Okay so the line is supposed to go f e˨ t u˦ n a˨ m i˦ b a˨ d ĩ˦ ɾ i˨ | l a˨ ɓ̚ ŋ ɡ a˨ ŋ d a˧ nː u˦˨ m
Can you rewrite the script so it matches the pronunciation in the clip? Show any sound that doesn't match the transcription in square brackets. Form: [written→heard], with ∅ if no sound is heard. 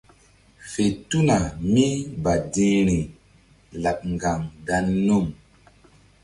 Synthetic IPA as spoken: f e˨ t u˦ n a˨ m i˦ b a˨ d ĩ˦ ɾ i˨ | l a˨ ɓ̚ ŋ ɡ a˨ ŋ d a˧ nː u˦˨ m